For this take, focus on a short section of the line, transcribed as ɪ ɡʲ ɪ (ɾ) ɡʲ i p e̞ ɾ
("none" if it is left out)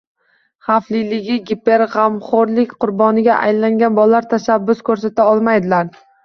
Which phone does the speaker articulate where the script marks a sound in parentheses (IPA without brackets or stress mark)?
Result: none